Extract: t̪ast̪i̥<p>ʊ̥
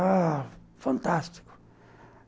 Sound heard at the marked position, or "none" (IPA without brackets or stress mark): k